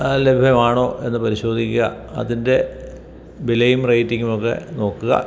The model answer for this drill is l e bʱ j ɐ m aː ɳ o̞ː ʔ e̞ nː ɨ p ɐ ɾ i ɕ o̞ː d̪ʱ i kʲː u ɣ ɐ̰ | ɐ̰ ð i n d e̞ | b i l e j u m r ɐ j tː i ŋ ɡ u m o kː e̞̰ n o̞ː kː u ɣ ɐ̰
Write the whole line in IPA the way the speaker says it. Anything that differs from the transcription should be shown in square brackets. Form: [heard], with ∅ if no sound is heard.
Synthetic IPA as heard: l e bʱ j ɐ m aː ɳ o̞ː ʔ e̞ nː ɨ p ɐ ɾ i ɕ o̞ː d̪ʱ i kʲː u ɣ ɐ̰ | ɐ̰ ð i n d e̞ | b i l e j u m r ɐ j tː i ŋ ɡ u m o kː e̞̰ n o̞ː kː u ɣ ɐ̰

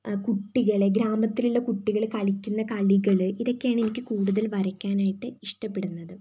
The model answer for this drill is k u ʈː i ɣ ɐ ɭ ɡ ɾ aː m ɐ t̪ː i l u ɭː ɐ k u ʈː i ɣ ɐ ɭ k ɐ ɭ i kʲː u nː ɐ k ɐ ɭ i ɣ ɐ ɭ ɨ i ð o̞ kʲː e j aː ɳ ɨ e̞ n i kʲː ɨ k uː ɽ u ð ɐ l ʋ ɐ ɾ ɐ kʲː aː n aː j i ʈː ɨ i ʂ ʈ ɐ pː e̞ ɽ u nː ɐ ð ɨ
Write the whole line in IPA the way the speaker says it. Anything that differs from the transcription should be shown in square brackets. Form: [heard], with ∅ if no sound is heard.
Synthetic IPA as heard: k u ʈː i ɣ ɐ ɭ ɡ ɾ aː m ɐ t̪ː i l u ɭː ɐ k u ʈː i ɣ ɐ ɭ k ɐ ɭ i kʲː u nː ɐ k ɐ ɭ i ɣ ɐ ɭ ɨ i ð o̞ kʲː e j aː ɳ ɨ e̞ n i kʲː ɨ k uː ɽ u ð ɐ l ʋ ɐ ɾ ɐ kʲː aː n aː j i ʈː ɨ i ʂ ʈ ɐ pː e̞ ɽ u nː ɐ ð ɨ

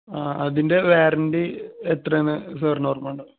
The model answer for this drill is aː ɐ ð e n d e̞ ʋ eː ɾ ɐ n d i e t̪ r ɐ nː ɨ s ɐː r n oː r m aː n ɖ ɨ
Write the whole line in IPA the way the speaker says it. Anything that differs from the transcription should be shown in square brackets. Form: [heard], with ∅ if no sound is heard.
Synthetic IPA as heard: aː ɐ ð [i] n d e̞ ʋ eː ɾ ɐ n d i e t̪ r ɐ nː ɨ s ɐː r n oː r m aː [ɳ] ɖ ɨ

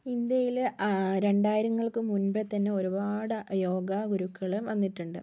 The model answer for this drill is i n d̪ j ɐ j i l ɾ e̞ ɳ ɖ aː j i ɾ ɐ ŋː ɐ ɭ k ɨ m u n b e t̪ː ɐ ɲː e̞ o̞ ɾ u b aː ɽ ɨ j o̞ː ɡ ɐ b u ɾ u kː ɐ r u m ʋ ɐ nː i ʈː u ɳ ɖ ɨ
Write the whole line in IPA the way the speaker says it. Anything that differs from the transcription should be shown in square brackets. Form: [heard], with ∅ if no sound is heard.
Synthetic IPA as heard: i n d̪ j ɐ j i l ɾ e̞ ɳ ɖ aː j i ɾ ɐ ŋː ɐ ɭ k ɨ m u n b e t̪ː ɐ [nː] e̞ o̞ ɾ u b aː ɽ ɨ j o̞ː ɡ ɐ [ɡ] u ɾ u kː ɐ [ɭ] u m ʋ ɐ nː i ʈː u ɳ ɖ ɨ

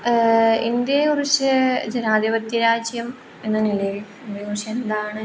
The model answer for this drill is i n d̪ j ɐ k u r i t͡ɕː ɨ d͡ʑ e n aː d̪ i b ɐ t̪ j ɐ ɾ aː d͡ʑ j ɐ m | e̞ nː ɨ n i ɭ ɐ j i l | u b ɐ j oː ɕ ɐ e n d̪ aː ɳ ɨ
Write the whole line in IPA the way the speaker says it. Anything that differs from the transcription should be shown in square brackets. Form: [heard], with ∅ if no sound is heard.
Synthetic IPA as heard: i n d̪ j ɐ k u r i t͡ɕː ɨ d͡ʑ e n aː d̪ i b ɐ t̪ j ɐ ɾ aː d͡ʑ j ɐ m | e̞ nː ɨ n i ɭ ɐ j i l | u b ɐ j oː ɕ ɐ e n d̪ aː ɳ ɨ

